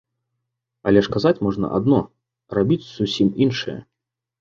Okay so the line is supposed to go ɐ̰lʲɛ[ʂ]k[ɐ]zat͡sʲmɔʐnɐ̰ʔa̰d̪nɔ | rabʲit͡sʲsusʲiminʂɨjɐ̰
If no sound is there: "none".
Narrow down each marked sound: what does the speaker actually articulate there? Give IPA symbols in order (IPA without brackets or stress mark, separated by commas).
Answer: ʂ, a